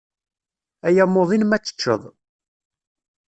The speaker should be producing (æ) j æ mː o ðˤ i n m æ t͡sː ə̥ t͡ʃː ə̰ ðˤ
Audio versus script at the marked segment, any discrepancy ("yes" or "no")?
no